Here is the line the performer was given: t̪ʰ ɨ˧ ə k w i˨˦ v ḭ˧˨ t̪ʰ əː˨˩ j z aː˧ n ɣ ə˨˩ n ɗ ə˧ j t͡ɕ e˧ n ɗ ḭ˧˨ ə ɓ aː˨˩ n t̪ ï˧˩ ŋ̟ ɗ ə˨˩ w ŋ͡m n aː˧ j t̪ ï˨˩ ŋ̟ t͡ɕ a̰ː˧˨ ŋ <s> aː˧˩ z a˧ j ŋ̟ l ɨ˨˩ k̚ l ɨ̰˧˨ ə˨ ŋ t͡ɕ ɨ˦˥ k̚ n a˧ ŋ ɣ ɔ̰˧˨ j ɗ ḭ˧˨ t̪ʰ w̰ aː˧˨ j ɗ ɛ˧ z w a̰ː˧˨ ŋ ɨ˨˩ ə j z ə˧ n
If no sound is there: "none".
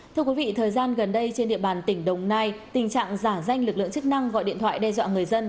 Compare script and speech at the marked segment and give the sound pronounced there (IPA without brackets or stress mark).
z